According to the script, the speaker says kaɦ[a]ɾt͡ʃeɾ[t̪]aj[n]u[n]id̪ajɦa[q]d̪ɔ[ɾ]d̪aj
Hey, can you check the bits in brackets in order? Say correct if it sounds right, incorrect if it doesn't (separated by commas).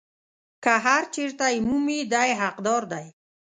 correct, correct, incorrect, incorrect, correct, correct